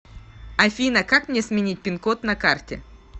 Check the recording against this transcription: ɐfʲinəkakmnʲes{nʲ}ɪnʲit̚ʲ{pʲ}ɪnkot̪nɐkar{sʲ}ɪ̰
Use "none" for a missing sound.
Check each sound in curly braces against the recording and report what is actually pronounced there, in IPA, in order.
mʲ, pʲ, tʲ

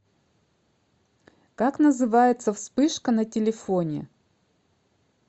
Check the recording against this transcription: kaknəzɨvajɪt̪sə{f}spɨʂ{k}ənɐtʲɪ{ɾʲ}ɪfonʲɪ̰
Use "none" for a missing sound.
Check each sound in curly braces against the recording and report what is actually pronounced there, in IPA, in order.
f, k, lʲ

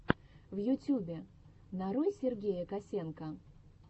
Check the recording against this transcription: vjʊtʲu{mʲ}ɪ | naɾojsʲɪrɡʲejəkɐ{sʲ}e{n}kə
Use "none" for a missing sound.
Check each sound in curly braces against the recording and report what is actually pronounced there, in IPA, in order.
bʲ, sʲ, n

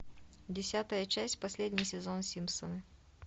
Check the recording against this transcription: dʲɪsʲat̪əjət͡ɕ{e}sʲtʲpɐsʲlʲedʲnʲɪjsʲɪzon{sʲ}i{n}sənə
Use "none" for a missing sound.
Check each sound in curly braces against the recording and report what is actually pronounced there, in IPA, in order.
æ, sʲ, m

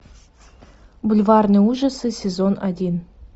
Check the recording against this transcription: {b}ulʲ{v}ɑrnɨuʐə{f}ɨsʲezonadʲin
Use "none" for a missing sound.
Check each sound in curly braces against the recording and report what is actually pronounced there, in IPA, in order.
b, v, s

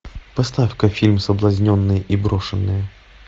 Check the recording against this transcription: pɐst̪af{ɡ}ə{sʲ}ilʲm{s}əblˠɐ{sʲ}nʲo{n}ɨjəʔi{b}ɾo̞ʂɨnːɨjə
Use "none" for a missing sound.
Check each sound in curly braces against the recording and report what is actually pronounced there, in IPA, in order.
k, fʲ, s, zʲ, nː, b

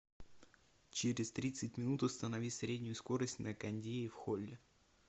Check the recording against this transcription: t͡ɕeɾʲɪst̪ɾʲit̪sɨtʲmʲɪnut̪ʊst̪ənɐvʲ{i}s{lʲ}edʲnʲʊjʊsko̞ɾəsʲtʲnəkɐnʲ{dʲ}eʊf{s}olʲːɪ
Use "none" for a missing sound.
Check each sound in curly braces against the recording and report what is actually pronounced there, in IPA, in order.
i, ɾʲ, dʲ, x

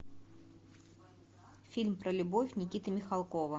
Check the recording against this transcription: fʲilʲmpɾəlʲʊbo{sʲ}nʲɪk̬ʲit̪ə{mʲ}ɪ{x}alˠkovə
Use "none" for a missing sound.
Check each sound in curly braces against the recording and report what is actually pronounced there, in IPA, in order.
fʲ, mʲ, x

